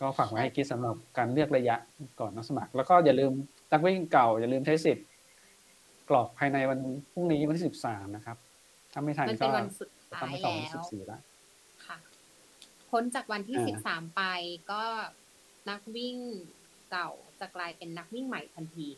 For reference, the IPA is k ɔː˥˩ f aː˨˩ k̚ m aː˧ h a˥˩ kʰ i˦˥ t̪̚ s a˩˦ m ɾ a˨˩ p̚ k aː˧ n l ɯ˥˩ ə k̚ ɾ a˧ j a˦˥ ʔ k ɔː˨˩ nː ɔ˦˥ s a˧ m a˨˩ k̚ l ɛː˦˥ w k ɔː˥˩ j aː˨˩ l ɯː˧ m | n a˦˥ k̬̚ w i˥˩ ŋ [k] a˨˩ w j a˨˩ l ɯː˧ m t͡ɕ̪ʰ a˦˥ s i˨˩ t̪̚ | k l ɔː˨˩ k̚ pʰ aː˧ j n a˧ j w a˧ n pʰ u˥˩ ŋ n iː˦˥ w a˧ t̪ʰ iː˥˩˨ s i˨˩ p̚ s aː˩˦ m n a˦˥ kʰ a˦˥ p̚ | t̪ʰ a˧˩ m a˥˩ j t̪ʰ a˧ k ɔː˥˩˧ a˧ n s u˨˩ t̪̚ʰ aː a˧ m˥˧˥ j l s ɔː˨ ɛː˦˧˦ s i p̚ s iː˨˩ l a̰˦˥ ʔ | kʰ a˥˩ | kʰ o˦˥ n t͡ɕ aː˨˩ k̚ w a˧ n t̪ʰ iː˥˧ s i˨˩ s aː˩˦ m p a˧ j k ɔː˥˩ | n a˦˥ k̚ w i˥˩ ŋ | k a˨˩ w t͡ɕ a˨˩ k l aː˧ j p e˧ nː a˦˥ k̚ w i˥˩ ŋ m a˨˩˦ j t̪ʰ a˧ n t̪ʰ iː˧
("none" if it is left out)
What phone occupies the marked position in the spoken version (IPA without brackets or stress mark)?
k